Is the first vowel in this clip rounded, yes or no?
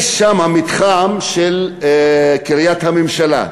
no